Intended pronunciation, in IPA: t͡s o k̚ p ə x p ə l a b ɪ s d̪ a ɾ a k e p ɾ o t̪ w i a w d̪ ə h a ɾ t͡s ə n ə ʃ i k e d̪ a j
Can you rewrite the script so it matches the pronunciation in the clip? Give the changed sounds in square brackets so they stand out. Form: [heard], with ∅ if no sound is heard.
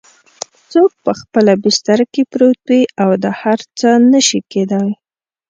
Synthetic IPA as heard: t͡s o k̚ p ə x p ə l a b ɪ s [t̪] a ɾ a k e p ɾ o t̪ w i a w d̪ ə h a ɾ t͡s ə n ə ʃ i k e d̪ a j